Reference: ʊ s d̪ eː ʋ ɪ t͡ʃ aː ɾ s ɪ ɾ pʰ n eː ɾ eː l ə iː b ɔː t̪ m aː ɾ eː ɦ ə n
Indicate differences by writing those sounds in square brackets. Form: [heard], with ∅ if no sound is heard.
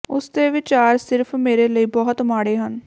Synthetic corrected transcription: ʊ s d̪ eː ʋ ɪ t͡ʃ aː ɾ s ɪ ɾ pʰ [m] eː ɾ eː l ə iː b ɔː t̪ m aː [ɽ] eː ɦ ə n